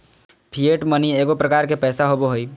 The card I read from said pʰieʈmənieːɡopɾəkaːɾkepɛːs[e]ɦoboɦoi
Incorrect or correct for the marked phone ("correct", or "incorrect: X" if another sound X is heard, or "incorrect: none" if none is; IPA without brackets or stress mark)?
incorrect: a